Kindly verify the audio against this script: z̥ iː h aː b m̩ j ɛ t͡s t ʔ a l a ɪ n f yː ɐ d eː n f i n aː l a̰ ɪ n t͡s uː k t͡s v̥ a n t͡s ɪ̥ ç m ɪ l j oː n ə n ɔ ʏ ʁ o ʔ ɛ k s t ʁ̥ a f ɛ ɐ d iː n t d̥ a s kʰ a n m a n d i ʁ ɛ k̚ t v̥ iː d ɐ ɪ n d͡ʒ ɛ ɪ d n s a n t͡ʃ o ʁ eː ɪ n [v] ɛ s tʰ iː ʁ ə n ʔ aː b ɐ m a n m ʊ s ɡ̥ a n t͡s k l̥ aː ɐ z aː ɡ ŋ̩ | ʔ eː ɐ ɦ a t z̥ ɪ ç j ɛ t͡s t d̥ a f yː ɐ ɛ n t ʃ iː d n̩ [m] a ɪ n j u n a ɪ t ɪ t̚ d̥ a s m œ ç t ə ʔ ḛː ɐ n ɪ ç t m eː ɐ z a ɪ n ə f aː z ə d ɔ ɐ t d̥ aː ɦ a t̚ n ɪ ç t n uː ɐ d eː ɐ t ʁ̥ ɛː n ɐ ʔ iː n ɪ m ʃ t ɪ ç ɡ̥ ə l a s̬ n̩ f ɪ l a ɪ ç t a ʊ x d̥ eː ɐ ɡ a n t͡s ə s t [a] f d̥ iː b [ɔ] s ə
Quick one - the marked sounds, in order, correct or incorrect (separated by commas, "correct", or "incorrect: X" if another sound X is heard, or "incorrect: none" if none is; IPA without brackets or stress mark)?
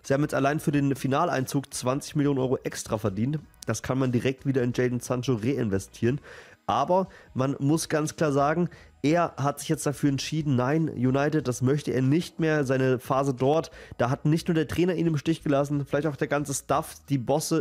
correct, incorrect: n, correct, correct